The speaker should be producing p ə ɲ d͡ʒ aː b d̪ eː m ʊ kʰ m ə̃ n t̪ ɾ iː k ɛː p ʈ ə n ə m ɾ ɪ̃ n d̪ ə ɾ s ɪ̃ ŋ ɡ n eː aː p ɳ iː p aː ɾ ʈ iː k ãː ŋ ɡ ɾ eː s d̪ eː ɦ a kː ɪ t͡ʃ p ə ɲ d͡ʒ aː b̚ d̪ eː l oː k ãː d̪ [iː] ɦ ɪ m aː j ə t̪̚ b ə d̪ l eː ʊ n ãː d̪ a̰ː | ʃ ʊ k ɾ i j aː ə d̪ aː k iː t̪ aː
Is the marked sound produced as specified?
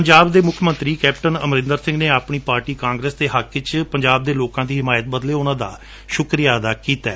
yes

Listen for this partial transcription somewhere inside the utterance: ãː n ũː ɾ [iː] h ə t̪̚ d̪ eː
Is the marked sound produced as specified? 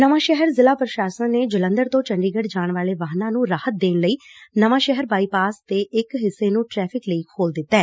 no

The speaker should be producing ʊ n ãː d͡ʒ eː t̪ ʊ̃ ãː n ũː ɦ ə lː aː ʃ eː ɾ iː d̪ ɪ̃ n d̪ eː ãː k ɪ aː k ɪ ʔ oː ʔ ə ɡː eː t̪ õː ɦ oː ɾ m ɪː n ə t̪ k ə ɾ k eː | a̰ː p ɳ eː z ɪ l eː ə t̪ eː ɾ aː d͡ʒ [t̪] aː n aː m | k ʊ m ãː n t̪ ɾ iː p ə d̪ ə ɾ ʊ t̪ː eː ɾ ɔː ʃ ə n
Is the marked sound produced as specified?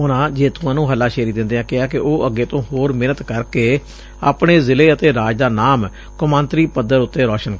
no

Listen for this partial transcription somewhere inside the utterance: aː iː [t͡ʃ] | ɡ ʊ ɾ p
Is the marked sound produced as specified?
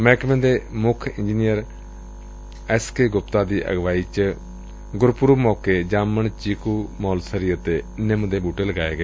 yes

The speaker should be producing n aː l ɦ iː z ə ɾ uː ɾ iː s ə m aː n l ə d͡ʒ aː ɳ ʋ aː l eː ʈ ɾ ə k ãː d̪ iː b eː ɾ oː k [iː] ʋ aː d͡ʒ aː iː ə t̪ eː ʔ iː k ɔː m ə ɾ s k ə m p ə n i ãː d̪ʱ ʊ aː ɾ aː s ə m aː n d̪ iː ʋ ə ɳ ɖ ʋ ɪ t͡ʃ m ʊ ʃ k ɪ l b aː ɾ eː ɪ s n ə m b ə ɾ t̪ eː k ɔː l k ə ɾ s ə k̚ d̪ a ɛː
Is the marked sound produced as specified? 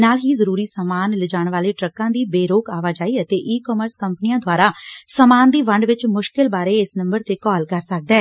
no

